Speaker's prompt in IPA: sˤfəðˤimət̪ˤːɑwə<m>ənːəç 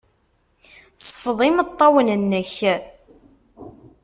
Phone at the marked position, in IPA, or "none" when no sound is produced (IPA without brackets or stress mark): n